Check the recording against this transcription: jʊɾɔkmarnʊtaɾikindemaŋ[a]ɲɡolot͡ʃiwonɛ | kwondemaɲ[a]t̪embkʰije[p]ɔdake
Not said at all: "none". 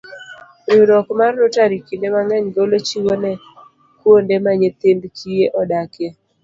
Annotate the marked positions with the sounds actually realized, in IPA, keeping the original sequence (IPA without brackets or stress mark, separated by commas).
ɛ, e, ʔ